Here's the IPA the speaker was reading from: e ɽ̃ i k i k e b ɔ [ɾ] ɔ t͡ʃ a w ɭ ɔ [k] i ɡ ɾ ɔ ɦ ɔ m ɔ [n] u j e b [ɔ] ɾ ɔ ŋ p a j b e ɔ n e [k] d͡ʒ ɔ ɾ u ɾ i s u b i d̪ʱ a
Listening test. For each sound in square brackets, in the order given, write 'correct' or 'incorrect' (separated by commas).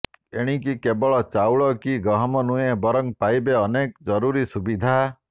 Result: incorrect, correct, correct, correct, correct